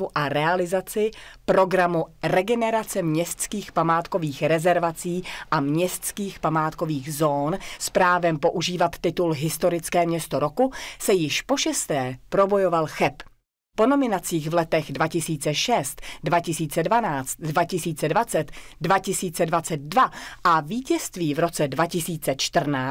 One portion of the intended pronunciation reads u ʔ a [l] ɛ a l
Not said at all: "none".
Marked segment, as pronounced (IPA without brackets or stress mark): ɾ